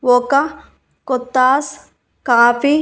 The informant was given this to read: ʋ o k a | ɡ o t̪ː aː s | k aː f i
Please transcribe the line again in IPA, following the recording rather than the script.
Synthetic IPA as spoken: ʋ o k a | k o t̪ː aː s | k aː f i